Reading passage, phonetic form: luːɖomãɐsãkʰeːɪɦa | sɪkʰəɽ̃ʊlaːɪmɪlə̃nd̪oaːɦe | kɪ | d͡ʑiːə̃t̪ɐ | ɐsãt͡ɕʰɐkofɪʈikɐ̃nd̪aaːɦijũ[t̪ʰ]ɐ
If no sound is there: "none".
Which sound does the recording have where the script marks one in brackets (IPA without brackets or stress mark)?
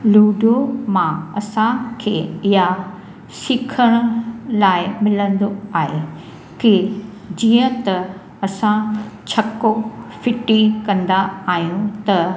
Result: t̪